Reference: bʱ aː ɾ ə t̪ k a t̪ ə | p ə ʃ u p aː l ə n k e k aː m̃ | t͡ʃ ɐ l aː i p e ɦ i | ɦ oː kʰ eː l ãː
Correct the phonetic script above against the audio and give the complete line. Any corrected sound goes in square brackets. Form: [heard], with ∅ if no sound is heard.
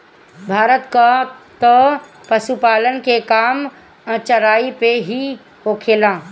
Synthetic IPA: bʱ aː ɾ ə t̪ k a t̪ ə | p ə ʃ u p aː l ə n k e k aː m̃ | t͡ʃ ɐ [ɾ] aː i p e ɦ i | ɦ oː kʰ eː l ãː